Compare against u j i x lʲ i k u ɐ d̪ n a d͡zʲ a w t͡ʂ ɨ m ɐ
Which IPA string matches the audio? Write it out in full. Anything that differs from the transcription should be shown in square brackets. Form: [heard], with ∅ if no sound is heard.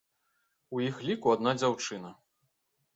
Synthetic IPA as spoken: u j i x lʲ i k u [a] d̪ n a d͡zʲ a w t͡ʂ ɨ [n] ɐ